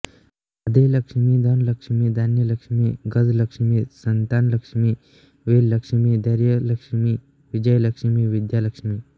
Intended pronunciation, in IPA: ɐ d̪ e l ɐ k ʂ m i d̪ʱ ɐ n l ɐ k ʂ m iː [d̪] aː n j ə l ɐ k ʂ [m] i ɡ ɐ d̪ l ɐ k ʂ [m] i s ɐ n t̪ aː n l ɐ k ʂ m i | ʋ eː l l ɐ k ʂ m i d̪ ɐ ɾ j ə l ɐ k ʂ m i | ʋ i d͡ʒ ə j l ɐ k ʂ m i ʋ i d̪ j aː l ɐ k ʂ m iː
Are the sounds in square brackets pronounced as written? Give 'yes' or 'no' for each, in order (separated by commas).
yes, yes, yes